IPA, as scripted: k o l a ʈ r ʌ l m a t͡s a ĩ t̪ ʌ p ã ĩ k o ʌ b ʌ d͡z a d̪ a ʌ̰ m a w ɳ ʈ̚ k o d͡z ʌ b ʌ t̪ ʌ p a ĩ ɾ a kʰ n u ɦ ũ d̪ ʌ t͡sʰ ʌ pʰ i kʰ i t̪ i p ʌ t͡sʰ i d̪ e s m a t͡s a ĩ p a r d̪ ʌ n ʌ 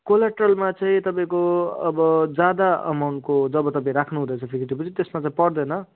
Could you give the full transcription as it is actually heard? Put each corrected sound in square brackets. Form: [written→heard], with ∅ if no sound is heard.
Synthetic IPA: k o l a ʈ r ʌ l m a t͡s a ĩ t̪ ʌ p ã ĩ k o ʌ b ʌ d͡z a d̪ a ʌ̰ m a w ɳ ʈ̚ k o d͡z ʌ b ʌ t̪ ʌ p a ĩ ɾ a kʰ n u ɦ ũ d̪ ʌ t͡sʰ ʌ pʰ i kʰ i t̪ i p ʌ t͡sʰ i [d̪→t̪] e s m a t͡s a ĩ p [a→ʌ] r d̪ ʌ n ʌ

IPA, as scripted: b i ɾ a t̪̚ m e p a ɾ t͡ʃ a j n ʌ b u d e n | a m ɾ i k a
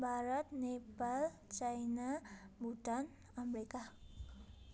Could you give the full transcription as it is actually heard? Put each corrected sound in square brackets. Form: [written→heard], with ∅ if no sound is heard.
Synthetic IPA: b [i→a] ɾ a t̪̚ [m→n] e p a [ɾ→l] t͡ʃ a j n [ʌ→a] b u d [e→a] n | a m ɾ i k a

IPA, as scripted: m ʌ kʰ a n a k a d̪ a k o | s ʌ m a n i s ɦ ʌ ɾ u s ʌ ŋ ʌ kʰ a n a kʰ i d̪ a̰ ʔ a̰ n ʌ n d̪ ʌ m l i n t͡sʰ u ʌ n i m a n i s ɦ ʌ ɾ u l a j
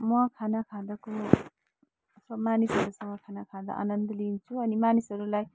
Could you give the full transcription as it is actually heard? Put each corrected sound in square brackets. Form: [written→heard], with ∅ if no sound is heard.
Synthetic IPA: m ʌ kʰ a n a [k→kʰ] a d̪ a k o | s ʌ m a n i s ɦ ʌ ɾ u s ʌ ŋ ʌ kʰ a n a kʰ [i→a] d̪ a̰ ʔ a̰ n ʌ n d̪ ʌ [m→∅] l i n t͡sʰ u ʌ n i m a n i s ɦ ʌ ɾ u l a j

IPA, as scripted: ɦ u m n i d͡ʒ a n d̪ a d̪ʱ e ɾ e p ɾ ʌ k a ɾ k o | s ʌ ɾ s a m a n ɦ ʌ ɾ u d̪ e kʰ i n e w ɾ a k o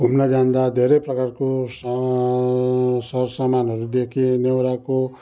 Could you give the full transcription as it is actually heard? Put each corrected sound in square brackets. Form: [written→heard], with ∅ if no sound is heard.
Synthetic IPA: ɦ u m n [i→a] d͡ʒ a n d̪ a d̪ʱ e ɾ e p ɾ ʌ k a ɾ k o | s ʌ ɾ s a m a n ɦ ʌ ɾ u d̪ e kʰ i n e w ɾ a k o

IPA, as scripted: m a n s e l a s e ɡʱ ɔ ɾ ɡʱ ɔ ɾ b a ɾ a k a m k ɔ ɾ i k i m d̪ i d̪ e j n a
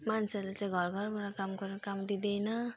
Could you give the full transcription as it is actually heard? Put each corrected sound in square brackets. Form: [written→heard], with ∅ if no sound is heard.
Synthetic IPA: m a n s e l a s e ɡʱ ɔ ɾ ɡʱ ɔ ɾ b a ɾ a k a m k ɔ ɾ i k [i→a] m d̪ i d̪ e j n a

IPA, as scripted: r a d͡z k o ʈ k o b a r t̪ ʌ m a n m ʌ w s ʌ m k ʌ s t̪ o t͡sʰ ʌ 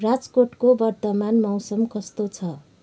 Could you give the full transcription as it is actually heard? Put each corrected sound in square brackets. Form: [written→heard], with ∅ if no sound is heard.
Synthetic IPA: r a d͡z k o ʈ k o b [a→ʌ] r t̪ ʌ m a n m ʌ w s ʌ m k ʌ s t̪ o t͡sʰ ʌ

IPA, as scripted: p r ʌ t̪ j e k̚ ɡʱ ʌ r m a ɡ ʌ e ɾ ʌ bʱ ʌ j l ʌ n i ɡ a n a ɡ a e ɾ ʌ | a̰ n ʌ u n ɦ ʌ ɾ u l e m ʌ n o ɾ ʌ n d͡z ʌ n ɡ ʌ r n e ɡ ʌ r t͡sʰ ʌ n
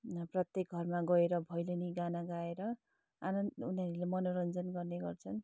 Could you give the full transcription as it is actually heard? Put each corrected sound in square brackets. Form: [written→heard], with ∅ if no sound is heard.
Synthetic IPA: p r ʌ t̪ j e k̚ ɡʱ ʌ r m a ɡ ʌ e ɾ ʌ bʱ ʌ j l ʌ n i ɡ a n a ɡ a e ɾ ʌ | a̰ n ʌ u n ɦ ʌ ɾ u l e m ʌ n o ɾ ʌ n d͡z ʌ n ɡ ʌ r n e ɡ ʌ r t͡sʰ ʌ n

